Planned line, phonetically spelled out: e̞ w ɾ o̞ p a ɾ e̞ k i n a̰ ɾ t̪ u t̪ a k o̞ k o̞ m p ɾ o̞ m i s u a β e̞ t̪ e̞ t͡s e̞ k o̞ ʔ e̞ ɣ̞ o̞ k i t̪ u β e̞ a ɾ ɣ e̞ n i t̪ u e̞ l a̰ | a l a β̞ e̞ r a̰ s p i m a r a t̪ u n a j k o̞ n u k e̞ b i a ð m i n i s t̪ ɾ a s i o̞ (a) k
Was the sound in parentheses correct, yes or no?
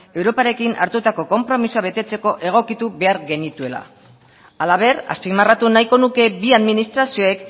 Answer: no